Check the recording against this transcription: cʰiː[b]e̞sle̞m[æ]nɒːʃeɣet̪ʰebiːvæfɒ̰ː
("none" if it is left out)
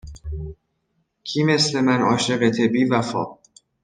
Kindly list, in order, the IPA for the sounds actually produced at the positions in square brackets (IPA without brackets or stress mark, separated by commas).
m, æ